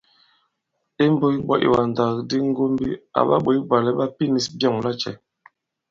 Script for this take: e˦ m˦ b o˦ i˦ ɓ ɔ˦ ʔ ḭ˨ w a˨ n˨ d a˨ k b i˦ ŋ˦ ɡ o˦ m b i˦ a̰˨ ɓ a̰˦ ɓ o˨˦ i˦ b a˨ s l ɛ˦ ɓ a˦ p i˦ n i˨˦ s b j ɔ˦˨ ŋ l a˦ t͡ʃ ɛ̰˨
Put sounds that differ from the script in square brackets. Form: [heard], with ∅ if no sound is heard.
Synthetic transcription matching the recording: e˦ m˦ b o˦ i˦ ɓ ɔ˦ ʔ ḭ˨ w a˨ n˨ d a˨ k [d] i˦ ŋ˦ ɡ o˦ m b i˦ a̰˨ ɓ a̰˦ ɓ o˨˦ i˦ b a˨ [∅] l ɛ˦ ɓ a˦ p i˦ n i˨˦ s b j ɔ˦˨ ŋ l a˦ t͡ʃ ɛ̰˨